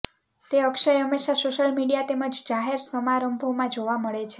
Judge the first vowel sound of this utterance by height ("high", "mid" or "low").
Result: mid